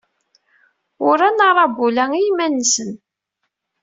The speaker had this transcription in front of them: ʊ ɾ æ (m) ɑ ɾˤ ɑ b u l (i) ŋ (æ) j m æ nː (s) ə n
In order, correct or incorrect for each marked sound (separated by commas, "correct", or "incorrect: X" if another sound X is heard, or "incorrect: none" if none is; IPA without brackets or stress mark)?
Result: incorrect: n, incorrect: æ, incorrect: i, correct